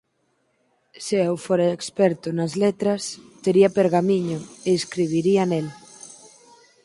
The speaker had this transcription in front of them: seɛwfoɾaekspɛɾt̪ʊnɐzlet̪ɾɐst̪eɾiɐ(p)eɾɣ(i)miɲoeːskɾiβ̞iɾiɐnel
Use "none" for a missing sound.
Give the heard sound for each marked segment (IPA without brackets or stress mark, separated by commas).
p, a